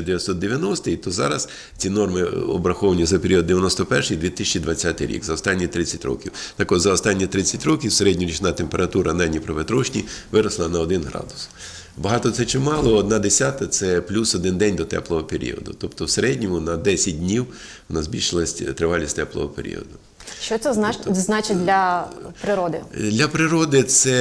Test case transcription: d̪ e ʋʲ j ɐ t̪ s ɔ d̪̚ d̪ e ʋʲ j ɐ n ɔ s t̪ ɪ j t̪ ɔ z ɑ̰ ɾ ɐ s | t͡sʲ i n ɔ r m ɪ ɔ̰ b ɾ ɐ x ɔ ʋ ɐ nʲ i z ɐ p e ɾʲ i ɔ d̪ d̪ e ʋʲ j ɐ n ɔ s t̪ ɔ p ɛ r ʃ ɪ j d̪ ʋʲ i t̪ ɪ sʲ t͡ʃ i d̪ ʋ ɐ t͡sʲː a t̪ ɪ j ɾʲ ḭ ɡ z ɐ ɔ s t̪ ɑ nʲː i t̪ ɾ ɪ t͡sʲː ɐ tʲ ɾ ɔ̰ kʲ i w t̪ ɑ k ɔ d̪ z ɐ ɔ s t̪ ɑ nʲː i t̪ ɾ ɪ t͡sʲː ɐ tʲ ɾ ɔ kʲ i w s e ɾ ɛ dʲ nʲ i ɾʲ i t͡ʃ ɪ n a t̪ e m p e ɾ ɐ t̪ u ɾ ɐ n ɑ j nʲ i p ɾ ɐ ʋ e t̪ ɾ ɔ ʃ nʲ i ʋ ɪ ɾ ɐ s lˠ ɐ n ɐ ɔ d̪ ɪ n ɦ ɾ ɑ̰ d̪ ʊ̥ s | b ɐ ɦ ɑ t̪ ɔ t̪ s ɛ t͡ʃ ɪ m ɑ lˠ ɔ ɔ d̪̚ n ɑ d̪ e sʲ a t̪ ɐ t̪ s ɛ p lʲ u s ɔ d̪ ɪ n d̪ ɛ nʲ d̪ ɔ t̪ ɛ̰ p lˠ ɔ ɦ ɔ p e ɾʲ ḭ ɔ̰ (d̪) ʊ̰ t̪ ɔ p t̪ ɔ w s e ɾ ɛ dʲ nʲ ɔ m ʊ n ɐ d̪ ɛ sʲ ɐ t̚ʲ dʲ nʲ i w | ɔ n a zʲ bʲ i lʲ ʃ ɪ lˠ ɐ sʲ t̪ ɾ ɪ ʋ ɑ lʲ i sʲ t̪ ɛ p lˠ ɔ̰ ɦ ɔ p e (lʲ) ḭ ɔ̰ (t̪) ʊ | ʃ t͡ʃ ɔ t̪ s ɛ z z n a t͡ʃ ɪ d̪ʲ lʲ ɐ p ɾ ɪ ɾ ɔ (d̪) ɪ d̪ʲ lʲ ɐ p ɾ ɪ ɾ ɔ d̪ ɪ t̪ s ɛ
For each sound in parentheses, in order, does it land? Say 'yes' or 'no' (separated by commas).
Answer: yes, no, no, yes